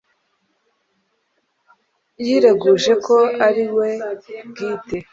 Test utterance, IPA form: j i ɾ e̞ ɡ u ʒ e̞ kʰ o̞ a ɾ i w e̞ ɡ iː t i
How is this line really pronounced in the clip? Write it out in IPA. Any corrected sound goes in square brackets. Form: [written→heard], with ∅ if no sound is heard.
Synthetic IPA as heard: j i ɾ e̞ ɡ u ʒ e̞ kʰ o̞ a ɾ i w e̞ ɡ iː t [i→e]